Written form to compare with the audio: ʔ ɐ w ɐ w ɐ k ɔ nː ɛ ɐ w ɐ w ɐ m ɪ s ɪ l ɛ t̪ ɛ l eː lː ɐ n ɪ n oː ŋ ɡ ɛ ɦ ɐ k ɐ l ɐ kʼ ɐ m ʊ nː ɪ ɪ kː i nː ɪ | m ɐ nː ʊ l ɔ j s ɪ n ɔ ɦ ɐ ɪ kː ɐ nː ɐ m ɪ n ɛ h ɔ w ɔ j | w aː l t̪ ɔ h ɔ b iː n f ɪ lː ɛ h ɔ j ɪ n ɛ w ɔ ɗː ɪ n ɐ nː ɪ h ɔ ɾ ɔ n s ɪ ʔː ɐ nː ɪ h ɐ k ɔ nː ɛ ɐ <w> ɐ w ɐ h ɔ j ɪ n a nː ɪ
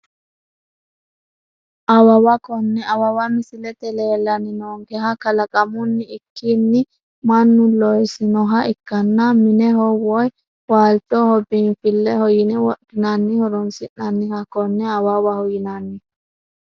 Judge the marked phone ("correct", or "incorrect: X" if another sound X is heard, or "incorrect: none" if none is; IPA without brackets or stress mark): correct